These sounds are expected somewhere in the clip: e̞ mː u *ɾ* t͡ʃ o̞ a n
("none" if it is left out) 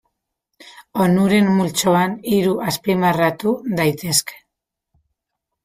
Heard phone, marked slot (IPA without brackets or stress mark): l